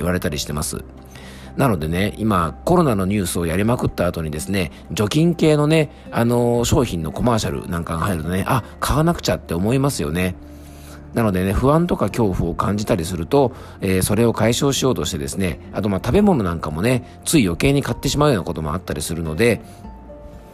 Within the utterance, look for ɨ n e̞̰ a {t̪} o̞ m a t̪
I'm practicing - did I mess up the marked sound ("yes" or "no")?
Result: no